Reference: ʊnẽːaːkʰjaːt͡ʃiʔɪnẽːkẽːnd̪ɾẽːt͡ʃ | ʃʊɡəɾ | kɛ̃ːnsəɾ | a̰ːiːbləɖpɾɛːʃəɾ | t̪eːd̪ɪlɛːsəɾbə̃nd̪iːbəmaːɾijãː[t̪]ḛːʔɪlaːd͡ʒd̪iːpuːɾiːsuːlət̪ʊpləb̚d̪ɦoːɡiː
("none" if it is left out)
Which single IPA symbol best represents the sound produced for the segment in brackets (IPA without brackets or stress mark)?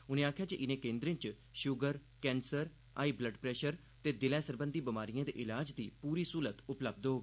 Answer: d̪